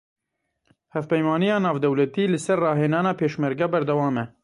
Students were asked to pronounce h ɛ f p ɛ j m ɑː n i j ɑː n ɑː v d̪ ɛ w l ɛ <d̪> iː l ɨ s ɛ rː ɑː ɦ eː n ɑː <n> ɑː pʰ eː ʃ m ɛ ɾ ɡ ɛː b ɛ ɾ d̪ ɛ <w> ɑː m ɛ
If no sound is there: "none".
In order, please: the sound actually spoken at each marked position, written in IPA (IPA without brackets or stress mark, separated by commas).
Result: t̪, n, w